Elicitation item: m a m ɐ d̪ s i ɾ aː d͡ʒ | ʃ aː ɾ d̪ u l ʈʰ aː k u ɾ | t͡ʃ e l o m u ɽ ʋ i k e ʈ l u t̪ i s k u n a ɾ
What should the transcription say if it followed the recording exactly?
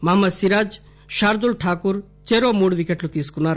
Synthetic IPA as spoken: m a m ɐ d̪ s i ɾ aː d͡ʒ | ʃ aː ɾ d̪ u l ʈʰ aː k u ɾ | t͡ʃ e ɾ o m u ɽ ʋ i k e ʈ l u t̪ i s k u n a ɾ

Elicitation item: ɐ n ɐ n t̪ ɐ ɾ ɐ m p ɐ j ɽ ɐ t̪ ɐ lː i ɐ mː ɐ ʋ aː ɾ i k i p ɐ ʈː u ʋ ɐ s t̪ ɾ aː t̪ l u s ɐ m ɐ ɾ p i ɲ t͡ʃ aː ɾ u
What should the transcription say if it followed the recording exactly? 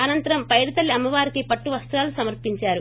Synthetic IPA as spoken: ɐ n ɐ n t̪ ɐ ɾ ɐ m p ɐ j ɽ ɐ t̪ ɐ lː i ɐ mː ɐ ʋ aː ɾ i k i p ɐ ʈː u ʋ ɐ s t̪ ɾ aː l u s ɐ m ɐ ɾ p i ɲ t͡ʃ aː ɾ u

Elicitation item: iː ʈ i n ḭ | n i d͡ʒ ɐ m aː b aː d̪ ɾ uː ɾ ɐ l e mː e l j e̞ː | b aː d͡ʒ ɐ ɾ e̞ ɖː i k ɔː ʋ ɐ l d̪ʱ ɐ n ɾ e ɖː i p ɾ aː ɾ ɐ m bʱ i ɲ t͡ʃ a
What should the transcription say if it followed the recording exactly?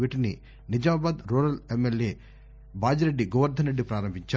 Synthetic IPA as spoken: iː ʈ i n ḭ | n i d͡ʒ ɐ m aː b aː d̪ ɾ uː ɾ ɐ l e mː e l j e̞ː | b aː d͡ʒ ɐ ɾ e̞ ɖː i ɡ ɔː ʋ ɐ ɾ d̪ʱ ɐ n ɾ e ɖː i p ɾ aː ɾ ɐ m bʱ i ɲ t͡ʃ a

